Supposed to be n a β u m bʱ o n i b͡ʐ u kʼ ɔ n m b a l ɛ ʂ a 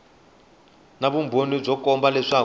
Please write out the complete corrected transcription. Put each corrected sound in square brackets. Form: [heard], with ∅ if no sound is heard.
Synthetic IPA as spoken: n a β u m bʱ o n i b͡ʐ [ɔ] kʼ ɔ [∅] m b a l ɛ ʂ a